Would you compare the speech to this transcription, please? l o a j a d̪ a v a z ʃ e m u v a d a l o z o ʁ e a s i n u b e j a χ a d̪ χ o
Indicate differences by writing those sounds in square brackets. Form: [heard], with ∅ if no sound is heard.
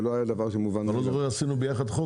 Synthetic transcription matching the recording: l o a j a d̪ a v a [ʁ] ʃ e m u v a [n] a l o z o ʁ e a s i n u b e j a χ a d̪ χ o